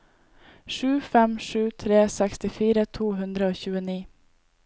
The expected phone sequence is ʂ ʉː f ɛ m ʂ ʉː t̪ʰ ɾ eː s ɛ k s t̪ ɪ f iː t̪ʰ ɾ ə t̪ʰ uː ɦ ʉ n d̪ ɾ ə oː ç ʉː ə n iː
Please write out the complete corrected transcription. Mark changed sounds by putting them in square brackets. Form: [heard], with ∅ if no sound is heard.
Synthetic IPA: ʂ ʉː f ɛ m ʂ ʉː t̪ʰ ɾ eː s ɛ k s t̪ ɪ f iː [∅] ɾ ə t̪ʰ uː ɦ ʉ n d̪ ɾ ə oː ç ʉː ə n iː